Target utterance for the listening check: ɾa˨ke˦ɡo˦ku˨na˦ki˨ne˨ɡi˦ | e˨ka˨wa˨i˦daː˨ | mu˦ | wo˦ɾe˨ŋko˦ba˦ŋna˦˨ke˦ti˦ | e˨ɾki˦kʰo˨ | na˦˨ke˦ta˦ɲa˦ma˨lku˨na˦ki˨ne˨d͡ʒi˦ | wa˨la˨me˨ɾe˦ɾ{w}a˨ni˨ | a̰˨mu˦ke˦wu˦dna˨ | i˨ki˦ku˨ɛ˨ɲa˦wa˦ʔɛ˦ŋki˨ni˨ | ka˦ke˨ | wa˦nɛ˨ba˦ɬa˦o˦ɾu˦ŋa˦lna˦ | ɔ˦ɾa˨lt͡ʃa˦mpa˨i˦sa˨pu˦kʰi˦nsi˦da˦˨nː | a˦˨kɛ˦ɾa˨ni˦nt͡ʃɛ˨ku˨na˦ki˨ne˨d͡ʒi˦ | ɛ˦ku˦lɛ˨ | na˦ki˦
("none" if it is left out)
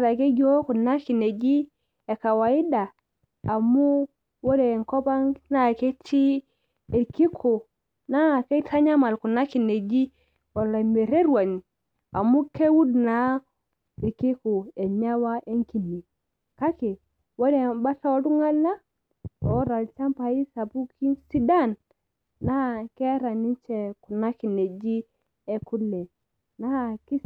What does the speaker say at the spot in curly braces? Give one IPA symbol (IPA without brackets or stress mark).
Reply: w